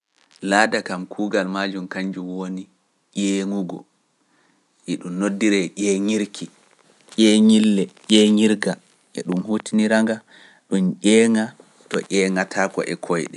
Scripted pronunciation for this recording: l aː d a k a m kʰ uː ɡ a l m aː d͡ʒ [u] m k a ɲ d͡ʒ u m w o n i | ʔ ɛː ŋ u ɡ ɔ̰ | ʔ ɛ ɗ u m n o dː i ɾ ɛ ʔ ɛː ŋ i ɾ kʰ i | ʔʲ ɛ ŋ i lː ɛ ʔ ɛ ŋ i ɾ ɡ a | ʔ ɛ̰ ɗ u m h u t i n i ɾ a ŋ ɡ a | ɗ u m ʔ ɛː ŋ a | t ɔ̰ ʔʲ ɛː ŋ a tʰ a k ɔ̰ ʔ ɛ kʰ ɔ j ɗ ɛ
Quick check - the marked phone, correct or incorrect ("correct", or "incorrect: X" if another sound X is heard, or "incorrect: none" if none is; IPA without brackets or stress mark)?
correct